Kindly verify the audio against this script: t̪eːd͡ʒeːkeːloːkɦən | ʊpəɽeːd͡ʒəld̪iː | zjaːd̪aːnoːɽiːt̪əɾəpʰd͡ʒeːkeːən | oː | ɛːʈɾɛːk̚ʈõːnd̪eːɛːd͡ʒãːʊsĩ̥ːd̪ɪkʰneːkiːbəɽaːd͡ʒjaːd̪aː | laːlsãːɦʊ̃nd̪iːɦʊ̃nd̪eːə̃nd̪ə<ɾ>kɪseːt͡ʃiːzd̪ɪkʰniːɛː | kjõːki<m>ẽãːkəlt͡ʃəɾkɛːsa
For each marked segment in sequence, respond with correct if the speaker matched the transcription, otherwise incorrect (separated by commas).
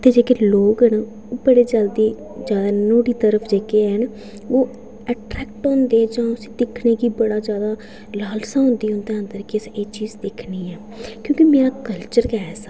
correct, correct